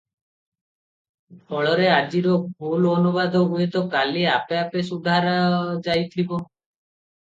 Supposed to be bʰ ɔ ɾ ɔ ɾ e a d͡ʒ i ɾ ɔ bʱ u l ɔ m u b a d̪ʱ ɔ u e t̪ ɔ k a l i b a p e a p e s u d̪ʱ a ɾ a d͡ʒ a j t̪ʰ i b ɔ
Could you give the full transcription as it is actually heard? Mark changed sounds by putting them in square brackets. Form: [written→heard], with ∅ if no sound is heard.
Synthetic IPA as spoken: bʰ ɔ [ɾ→ɭ] ɔ ɾ e a d͡ʒ i ɾ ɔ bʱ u l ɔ [m→n] u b a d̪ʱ ɔ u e t̪ ɔ k a l i [b→∅] a p e a p e s u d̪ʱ a ɾ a d͡ʒ a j t̪ʰ i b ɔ